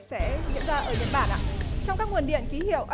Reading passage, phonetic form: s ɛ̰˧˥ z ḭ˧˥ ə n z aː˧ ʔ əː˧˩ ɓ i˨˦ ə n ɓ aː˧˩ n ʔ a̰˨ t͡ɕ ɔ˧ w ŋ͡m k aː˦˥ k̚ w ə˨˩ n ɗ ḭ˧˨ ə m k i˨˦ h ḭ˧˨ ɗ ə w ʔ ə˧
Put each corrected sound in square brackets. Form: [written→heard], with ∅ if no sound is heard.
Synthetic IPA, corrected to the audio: s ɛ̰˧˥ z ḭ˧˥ ə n z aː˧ ʔ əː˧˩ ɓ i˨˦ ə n ɓ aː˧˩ n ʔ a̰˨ t͡ɕ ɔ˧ w ŋ͡m k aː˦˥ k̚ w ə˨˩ n ɗ ḭ˧˨ ə [m→n] k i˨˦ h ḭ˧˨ [ɗ→∅] ə w ʔ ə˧